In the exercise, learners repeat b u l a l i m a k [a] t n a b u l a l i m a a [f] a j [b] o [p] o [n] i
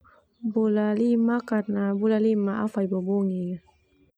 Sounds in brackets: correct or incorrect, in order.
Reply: correct, correct, correct, incorrect, incorrect

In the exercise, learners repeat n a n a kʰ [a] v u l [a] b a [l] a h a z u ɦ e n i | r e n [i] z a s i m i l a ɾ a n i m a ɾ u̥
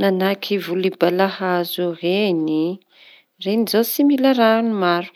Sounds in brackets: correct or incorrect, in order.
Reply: incorrect, incorrect, correct, correct

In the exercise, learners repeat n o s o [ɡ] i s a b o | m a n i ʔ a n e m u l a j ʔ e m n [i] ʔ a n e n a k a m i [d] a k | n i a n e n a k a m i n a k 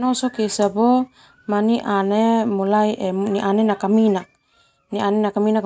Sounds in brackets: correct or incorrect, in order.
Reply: incorrect, correct, incorrect

